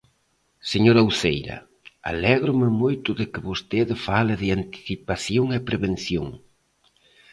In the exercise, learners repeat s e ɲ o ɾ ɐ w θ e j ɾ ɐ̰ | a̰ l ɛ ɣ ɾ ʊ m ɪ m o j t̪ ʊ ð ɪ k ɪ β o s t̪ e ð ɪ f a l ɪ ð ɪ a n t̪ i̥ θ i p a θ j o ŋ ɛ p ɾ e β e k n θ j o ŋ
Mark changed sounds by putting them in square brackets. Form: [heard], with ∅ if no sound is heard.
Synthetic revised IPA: s e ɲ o ɾ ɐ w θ e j ɾ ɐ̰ | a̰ l ɛ ɣ ɾ ʊ m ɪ m o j t̪ ʊ ð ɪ k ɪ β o s t̪ e ð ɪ f a l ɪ ð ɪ a n t̪ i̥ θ i p a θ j o ŋ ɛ p ɾ e β e [∅] n θ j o ŋ